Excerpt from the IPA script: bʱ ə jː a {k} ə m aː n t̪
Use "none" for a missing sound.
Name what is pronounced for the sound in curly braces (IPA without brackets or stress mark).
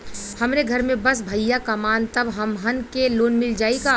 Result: k